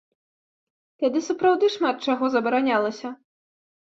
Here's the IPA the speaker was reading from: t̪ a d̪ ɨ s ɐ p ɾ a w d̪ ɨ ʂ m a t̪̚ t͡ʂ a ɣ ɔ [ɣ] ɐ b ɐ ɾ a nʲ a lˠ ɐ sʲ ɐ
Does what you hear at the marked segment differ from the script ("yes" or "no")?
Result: yes